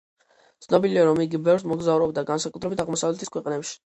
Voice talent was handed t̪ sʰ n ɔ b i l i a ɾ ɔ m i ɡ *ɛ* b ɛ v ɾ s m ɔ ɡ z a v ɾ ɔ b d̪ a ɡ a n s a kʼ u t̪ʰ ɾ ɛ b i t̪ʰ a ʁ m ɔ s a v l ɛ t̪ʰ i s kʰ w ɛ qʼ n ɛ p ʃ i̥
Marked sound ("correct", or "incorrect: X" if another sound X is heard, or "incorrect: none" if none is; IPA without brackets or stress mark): incorrect: i